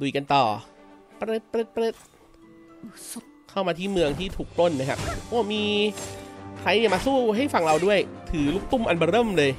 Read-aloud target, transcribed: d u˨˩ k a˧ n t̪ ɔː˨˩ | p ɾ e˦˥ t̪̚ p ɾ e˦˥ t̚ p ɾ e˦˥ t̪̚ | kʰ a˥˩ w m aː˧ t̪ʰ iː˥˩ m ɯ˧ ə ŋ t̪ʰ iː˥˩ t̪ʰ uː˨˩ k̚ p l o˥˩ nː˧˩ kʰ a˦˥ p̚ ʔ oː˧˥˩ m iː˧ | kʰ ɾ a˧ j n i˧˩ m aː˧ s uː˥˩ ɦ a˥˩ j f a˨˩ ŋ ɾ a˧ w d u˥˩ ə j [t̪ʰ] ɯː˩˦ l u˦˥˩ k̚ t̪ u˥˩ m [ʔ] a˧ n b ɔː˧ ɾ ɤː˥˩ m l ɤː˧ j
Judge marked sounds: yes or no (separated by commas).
yes, yes